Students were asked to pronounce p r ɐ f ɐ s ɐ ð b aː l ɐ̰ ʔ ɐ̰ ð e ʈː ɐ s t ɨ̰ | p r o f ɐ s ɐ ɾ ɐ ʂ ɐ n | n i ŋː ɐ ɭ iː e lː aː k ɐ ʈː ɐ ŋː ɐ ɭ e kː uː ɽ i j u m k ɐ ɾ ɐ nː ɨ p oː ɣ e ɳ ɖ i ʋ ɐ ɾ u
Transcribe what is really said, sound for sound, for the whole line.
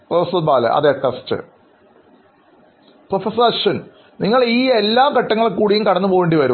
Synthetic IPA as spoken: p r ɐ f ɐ s ɐ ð b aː l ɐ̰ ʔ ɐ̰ ð e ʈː ɐ s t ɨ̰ | p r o f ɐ s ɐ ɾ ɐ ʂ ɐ n | n i ŋː ɐ ɭ iː e lː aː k ɐ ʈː ɐ ŋː ɐ ɭ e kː uː ɽ i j u m k ɐ ɽ ɐ nː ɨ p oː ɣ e ɳ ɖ i ʋ ɐ ɾ u

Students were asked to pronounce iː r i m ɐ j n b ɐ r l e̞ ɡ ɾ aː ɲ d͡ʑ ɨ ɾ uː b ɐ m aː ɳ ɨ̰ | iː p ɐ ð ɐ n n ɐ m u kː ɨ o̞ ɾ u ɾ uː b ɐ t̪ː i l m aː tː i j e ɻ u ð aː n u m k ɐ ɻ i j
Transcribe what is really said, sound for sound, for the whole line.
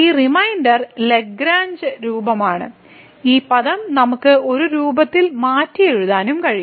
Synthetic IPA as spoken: iː r i m ɐ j n d ɐ r l e̞ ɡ ɾ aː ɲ d͡ʑ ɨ ɾ uː b ɐ m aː ɳ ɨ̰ | iː p ɐ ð ɐ m n ɐ m u kː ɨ o̞ ɾ u ɾ uː b ɐ t̪ː i l m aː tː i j e ɻ u ð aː n u m k ɐ ɻ i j

